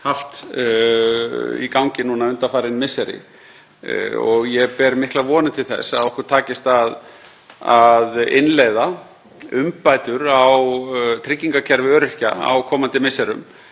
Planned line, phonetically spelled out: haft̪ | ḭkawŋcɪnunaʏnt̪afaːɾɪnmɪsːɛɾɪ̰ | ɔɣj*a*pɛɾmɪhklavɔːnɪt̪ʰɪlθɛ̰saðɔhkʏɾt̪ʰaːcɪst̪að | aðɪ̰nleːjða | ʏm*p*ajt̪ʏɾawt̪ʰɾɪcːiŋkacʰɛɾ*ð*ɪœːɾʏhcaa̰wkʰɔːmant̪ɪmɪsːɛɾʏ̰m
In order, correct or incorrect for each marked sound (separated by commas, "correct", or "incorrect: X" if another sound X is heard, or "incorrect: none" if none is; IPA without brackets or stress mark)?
incorrect: ɛ, correct, incorrect: v